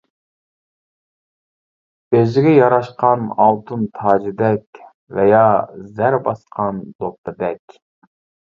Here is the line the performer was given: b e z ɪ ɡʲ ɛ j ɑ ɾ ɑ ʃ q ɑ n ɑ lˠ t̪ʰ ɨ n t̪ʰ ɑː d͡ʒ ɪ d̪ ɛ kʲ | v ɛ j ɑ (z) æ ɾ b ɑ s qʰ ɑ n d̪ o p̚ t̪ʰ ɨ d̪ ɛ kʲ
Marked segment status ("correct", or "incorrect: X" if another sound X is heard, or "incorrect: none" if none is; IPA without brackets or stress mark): correct